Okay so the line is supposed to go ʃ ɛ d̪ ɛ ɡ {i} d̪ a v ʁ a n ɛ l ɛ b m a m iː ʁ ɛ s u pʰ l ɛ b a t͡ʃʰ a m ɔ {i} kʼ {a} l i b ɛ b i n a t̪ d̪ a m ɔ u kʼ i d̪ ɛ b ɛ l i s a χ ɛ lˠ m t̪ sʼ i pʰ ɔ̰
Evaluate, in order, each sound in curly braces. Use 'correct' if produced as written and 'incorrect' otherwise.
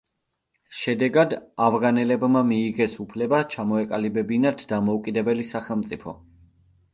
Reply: incorrect, incorrect, correct

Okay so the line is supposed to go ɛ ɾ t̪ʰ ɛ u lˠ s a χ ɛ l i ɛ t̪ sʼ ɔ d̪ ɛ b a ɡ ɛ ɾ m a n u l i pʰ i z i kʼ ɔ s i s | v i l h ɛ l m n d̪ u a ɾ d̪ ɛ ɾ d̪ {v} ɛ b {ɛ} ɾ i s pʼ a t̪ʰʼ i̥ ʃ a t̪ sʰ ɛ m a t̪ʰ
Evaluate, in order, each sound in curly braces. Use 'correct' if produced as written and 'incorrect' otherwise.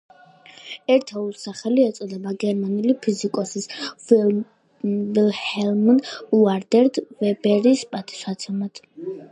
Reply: correct, correct

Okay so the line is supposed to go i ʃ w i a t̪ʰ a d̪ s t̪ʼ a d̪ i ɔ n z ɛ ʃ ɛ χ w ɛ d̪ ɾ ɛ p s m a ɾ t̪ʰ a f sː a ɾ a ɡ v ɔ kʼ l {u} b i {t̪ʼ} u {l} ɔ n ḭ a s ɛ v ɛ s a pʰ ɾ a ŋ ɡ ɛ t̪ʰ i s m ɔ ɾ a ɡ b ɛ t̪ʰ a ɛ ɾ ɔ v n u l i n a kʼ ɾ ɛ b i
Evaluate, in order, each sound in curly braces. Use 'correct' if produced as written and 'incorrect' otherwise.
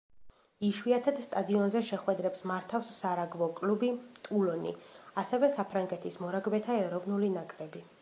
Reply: correct, correct, correct

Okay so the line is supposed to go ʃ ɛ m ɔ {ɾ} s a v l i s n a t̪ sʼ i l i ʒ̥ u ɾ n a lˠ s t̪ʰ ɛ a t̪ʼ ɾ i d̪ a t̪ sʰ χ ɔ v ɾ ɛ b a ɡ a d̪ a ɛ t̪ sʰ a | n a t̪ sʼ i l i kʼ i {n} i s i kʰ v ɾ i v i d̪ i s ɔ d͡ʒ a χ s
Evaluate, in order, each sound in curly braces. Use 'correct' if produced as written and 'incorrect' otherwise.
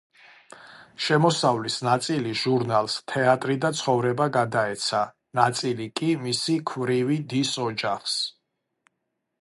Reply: incorrect, incorrect

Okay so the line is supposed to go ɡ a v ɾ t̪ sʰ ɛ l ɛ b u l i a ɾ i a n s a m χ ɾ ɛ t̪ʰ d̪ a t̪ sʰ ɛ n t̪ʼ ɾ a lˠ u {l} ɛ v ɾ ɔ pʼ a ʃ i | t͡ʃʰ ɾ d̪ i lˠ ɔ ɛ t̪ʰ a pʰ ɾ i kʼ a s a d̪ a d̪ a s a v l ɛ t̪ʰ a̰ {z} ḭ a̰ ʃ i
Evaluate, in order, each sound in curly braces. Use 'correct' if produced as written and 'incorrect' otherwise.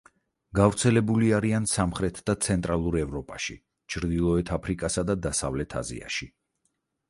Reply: incorrect, correct

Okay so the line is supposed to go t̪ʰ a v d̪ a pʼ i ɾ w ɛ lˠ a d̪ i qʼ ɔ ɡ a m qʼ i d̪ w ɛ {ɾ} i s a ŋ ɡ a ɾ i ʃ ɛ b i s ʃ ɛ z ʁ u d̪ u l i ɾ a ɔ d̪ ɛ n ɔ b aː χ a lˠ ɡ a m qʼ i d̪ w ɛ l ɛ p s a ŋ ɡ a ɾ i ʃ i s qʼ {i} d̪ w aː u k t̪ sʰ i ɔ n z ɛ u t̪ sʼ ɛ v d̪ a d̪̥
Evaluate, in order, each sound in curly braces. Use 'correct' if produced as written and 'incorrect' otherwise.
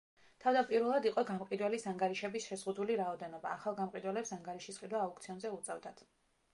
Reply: incorrect, correct

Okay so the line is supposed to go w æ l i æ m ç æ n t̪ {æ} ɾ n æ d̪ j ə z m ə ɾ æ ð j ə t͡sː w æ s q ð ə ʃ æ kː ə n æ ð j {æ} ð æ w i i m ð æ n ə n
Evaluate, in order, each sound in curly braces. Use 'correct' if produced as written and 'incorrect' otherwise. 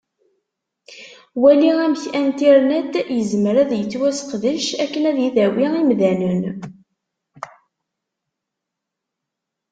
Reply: incorrect, incorrect

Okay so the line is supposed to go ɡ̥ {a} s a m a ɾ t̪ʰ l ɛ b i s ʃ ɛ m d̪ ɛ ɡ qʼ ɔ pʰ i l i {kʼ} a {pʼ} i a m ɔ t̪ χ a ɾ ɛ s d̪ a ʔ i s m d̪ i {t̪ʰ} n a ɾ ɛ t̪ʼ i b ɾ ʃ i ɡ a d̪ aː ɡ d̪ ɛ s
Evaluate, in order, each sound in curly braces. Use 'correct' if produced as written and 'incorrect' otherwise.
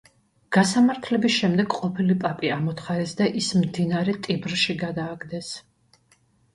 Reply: correct, incorrect, correct, incorrect

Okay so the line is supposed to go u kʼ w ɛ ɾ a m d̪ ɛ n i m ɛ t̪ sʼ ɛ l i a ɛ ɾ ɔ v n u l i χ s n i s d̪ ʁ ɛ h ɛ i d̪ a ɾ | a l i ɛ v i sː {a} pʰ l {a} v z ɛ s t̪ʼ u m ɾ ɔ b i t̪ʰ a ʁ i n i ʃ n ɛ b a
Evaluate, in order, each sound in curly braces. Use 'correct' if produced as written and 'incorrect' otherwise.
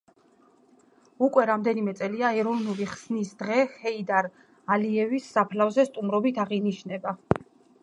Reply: correct, correct

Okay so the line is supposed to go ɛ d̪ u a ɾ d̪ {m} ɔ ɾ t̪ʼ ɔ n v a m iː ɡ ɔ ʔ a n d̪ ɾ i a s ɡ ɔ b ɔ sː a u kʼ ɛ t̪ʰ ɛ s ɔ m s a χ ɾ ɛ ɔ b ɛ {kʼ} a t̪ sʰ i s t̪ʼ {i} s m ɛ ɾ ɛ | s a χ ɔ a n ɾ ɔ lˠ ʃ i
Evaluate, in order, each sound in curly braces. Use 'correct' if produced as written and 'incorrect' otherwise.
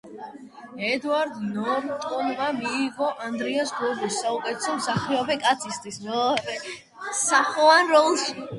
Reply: incorrect, correct, correct

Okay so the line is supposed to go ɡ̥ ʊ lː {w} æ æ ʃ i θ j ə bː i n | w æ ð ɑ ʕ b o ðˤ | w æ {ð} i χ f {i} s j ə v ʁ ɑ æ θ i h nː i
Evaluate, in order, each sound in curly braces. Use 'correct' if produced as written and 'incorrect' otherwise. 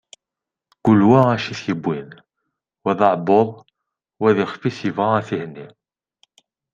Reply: correct, correct, correct

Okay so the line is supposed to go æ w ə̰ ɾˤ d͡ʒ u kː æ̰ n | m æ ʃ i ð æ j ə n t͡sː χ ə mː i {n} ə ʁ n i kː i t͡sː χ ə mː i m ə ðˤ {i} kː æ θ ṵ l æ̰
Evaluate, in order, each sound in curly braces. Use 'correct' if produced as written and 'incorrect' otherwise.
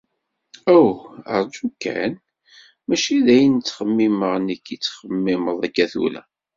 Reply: incorrect, incorrect

